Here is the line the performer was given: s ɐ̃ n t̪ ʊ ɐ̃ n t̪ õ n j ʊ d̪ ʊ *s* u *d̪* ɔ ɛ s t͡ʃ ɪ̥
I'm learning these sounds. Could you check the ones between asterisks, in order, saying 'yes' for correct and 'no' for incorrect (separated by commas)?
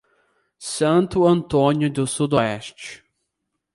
yes, yes